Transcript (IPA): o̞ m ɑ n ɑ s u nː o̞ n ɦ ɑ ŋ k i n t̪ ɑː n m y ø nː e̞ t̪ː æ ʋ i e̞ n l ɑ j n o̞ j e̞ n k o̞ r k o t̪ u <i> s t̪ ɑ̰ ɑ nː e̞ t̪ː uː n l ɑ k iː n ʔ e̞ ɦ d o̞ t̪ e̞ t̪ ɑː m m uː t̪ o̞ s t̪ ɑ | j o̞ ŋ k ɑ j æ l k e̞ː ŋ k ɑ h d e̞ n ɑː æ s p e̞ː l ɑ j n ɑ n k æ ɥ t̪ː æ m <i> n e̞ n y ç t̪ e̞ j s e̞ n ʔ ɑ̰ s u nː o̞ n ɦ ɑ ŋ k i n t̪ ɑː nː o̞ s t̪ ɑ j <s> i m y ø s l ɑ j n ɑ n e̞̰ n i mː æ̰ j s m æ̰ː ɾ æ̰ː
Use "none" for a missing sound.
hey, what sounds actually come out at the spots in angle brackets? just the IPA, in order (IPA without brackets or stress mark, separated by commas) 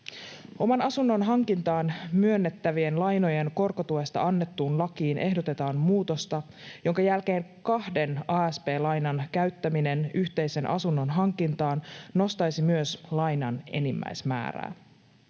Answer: e, i, s